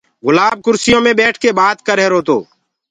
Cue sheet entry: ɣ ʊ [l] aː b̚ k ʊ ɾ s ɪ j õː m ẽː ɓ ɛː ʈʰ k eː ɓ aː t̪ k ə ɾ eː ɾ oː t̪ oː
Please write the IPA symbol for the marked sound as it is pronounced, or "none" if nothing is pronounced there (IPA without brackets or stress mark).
l